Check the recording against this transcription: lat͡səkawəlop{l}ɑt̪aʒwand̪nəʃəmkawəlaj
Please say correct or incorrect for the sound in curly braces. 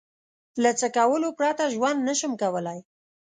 incorrect: ɾ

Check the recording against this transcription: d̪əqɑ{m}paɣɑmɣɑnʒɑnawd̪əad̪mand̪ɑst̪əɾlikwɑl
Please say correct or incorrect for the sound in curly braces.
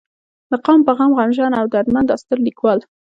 correct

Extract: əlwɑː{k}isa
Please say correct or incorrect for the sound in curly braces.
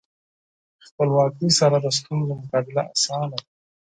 correct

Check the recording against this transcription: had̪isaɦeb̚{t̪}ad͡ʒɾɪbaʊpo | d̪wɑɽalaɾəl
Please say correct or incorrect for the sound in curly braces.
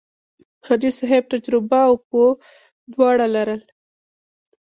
correct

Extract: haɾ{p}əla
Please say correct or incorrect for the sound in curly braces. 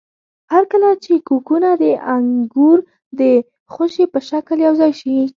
incorrect: k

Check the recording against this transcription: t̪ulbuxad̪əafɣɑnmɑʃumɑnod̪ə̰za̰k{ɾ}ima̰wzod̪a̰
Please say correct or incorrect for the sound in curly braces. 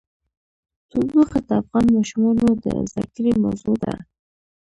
correct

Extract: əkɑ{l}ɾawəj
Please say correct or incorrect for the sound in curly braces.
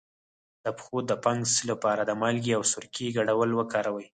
incorrect: none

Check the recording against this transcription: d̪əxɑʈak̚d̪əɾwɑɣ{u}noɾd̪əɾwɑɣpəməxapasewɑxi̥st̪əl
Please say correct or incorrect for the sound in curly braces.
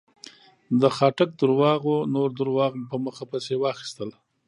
incorrect: o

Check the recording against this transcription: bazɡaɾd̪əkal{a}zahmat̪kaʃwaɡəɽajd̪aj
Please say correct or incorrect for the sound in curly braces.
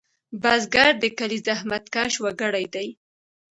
incorrect: i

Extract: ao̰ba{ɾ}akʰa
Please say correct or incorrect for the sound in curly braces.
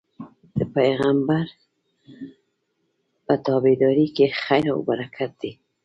correct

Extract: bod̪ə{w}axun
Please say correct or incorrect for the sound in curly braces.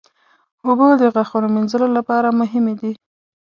incorrect: ɣ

